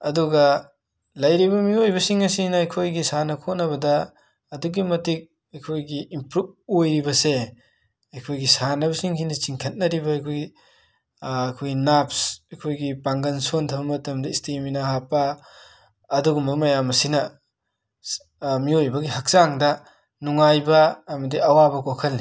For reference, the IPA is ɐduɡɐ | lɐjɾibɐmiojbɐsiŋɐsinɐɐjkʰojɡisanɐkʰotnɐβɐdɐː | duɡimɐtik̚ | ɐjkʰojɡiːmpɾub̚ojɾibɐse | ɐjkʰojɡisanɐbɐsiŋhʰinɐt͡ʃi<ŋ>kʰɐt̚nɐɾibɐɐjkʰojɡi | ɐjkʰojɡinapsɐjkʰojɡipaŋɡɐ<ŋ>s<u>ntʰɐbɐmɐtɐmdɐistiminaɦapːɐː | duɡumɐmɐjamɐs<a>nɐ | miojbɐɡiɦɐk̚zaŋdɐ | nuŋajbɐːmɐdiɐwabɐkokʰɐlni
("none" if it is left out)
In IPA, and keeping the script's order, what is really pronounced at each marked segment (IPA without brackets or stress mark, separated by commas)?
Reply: ŋ, n, o, i